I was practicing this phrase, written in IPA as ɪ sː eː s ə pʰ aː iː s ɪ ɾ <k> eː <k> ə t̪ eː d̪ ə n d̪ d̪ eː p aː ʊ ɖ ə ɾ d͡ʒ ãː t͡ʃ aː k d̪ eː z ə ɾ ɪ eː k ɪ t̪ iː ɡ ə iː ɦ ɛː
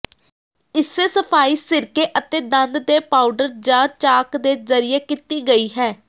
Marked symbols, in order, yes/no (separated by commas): yes, no